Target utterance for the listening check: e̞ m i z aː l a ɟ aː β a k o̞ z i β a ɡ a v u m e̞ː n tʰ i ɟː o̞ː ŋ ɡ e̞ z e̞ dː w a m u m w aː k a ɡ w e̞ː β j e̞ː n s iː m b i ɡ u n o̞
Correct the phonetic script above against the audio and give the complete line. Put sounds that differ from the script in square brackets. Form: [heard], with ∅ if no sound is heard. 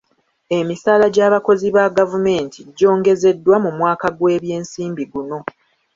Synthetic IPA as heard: e̞ m i [s] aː l a ɟ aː β a k o̞ z i β a ɡ a v u m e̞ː n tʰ i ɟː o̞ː ŋ ɡ e̞ z e̞ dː w a m u m w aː k a ɡ w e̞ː β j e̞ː n s iː m b i ɡ u n o̞